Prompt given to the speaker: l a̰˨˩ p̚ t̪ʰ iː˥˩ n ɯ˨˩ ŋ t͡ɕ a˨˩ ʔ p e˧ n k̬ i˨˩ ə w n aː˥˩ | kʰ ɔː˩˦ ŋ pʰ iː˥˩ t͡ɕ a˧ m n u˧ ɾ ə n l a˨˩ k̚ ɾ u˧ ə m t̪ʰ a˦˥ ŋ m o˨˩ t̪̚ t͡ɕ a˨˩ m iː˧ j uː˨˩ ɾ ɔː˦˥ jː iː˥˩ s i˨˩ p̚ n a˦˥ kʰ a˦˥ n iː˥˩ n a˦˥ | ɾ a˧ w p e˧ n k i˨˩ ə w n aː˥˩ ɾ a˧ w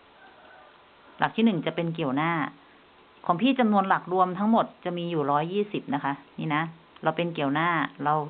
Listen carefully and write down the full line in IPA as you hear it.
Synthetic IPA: l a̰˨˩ k̚ t̪ʰ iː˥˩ n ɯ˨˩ ŋ t͡ɕ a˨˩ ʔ p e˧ n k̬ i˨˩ ə w n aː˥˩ | kʰ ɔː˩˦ ŋ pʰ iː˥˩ t͡ɕ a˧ m n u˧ ə n l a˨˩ k̚ ɾ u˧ ə m t̪ʰ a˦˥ ŋ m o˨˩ t̪̚ t͡ɕ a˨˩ m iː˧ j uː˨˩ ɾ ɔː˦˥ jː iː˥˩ s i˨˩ p̚ n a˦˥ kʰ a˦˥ n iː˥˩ n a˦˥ | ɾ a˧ w p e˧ n k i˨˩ ə w n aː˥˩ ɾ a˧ w